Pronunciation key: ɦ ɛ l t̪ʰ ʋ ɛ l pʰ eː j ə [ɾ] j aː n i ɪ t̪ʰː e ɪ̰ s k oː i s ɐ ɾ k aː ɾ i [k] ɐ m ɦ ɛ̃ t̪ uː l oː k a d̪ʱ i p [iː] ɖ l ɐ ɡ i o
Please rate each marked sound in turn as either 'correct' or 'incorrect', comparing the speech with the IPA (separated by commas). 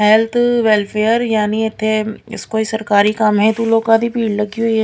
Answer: correct, correct, correct